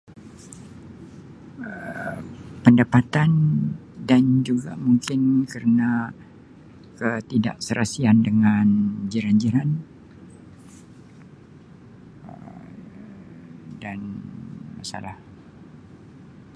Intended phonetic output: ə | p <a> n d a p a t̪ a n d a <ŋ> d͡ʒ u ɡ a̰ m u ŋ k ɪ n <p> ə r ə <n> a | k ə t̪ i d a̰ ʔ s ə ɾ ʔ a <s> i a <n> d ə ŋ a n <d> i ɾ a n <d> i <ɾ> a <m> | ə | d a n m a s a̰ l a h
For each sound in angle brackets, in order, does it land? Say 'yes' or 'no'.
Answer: no, no, no, yes, yes, yes, no, no, yes, no

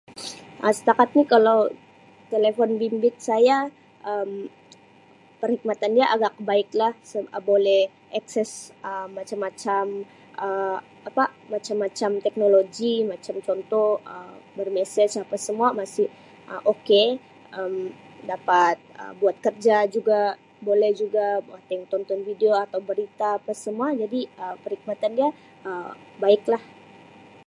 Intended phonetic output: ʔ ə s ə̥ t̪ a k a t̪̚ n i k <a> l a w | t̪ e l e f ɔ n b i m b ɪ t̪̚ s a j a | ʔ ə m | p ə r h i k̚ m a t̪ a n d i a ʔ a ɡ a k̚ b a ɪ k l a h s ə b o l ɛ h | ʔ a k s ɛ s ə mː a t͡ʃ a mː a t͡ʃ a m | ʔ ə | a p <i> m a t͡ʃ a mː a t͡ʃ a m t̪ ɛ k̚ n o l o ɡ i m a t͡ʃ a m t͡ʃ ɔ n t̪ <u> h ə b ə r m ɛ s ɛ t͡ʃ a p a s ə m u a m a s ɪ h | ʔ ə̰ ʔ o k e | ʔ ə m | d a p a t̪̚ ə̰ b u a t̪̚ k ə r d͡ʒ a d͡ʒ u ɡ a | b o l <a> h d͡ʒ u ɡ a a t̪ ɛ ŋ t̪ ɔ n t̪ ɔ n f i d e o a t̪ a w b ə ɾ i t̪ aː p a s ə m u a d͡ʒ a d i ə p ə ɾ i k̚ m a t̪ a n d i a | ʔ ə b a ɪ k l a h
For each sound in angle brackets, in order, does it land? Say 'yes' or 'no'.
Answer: yes, no, no, no

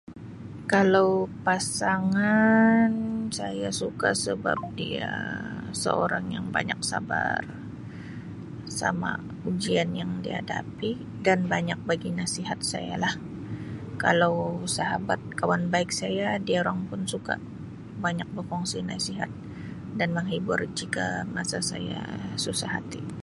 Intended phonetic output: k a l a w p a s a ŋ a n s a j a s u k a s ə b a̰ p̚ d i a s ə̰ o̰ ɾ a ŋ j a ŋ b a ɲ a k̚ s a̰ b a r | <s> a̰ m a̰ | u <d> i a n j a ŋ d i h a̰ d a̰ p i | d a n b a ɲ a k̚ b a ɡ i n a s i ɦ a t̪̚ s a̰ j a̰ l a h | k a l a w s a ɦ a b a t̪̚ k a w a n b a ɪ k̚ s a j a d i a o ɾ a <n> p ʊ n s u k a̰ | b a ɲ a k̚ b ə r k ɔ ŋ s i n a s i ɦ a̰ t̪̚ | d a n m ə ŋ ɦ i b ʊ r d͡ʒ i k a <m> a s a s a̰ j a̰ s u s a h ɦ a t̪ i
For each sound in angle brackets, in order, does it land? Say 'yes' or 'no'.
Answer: yes, no, no, yes

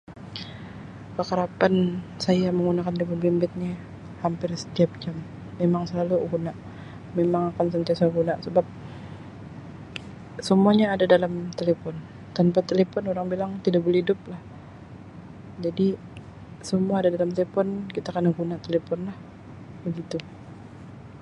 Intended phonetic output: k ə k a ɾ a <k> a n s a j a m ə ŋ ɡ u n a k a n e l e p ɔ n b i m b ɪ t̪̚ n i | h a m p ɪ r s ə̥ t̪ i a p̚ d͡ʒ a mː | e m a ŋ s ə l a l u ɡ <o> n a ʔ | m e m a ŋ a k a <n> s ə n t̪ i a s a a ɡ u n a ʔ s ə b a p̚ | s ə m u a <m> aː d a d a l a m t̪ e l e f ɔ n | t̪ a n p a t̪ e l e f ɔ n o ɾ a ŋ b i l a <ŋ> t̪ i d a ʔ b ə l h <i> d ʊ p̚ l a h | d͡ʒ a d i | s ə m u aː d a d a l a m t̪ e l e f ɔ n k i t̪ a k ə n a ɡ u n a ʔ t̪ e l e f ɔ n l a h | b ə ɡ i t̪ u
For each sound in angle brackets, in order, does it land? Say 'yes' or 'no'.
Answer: no, no, yes, no, yes, yes

